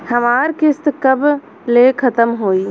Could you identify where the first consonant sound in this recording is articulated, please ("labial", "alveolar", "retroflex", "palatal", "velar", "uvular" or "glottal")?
glottal